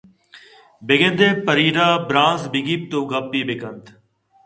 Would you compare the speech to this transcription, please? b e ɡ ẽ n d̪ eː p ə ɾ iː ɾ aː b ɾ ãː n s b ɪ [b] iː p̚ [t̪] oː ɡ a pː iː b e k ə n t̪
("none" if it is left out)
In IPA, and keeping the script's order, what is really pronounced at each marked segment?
ɡ, t̪

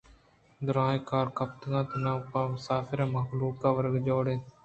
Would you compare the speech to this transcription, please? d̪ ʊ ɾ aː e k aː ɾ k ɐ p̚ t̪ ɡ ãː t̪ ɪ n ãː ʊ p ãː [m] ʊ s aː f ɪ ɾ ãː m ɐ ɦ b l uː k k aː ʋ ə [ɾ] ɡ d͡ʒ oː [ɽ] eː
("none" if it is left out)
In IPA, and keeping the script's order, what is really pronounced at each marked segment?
m, ɾ, ɽ

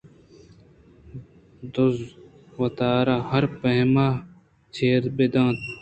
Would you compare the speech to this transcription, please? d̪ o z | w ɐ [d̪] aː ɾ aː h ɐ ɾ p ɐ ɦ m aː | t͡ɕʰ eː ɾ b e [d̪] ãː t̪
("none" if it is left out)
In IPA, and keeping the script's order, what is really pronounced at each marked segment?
t̪, d̪

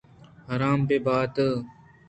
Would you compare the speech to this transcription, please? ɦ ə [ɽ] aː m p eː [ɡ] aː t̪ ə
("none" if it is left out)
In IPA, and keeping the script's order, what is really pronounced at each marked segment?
ɾ, b

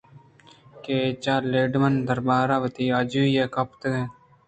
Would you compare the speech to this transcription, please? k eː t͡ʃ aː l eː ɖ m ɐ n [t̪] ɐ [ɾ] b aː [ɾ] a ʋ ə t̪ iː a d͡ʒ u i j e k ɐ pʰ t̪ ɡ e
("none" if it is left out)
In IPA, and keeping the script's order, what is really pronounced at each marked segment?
d̪, ɾ, ɾ

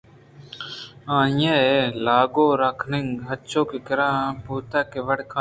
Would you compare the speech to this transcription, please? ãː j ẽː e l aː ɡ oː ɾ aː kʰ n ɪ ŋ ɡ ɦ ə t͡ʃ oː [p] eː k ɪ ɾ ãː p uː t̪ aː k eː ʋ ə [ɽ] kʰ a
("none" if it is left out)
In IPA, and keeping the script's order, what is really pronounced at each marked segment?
k, ɽ

